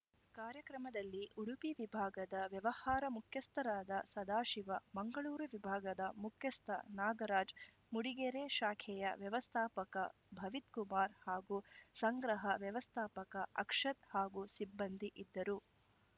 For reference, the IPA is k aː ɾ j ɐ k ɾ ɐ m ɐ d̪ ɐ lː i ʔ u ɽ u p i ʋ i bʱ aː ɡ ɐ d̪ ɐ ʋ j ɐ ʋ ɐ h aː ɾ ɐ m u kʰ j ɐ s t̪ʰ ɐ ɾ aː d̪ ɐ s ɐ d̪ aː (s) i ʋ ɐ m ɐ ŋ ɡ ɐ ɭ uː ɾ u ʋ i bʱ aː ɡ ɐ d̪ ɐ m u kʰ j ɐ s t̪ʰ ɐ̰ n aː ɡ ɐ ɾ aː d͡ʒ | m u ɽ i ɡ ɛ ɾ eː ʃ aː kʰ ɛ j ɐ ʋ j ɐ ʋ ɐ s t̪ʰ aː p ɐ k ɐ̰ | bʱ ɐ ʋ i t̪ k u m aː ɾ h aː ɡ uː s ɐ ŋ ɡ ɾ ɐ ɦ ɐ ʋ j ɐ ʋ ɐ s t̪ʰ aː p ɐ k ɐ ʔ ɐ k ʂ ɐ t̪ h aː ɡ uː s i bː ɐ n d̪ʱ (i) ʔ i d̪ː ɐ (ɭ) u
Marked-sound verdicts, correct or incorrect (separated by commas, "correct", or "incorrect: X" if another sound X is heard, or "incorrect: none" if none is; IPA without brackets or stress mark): incorrect: ʃ, correct, incorrect: ɾ